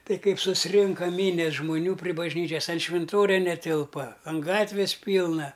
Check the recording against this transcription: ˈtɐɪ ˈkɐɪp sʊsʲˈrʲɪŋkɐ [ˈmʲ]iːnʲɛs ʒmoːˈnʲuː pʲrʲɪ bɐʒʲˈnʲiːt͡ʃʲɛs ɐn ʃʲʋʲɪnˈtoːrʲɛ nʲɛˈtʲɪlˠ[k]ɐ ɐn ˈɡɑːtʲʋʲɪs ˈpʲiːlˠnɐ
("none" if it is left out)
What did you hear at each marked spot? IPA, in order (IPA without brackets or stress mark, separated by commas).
mʲ, p